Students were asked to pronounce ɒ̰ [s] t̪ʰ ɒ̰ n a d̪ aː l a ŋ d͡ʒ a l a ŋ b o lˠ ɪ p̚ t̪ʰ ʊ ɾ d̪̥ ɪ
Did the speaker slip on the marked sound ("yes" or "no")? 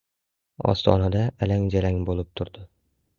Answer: no